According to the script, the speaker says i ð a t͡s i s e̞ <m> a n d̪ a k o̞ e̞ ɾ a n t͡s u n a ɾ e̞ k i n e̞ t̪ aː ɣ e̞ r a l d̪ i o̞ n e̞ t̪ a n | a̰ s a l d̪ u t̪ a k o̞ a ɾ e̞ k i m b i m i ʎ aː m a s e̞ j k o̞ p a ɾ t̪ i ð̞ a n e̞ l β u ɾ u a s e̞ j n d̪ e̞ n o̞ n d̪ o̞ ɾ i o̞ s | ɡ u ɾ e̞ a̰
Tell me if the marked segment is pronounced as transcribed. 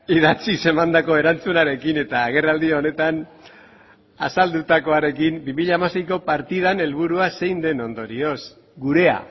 yes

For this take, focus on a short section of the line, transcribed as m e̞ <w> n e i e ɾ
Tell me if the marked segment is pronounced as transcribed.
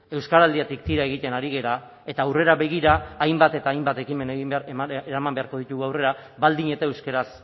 no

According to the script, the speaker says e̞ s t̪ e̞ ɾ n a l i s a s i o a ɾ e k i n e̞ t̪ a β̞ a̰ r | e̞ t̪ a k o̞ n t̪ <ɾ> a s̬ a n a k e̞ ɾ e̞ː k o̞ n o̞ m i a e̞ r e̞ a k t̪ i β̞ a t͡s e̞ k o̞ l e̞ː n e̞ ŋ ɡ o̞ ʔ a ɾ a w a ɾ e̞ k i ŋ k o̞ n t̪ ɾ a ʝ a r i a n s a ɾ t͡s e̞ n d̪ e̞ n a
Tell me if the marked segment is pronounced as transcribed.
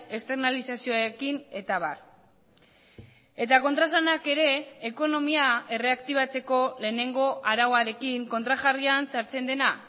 yes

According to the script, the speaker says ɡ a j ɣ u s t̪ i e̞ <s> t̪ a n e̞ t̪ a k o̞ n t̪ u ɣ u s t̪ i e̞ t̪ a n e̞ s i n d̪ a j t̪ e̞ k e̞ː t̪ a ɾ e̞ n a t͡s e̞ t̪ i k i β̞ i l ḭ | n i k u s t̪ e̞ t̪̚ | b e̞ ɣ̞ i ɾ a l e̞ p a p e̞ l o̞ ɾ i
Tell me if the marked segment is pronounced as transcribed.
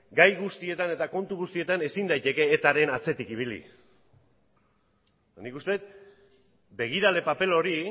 no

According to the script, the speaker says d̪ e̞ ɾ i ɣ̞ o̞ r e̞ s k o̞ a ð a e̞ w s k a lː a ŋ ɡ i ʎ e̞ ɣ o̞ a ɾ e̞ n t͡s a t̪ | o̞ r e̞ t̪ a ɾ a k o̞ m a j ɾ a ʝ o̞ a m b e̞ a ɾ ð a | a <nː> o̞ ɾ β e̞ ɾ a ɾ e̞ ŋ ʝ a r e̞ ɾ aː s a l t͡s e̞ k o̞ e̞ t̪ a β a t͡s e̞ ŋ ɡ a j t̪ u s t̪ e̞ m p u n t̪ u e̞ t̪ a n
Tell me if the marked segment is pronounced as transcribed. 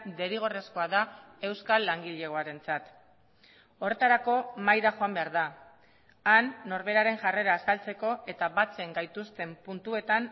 yes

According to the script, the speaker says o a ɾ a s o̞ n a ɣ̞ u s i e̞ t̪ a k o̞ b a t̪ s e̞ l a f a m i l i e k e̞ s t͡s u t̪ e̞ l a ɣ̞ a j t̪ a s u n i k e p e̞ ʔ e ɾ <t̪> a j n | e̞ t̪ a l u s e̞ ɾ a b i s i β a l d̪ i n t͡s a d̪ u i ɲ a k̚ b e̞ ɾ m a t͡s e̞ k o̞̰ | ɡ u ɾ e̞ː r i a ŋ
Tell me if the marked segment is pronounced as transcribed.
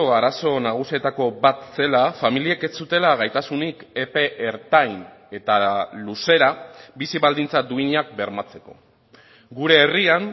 yes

